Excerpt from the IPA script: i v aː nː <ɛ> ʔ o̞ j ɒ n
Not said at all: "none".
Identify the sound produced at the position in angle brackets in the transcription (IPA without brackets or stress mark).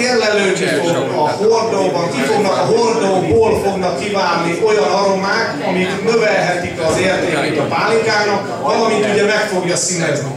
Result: i